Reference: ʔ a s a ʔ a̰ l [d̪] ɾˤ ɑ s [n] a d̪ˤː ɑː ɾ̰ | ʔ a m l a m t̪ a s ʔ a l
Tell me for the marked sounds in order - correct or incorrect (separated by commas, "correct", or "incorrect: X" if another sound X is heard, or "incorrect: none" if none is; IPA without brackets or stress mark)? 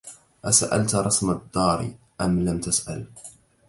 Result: incorrect: t̪, incorrect: m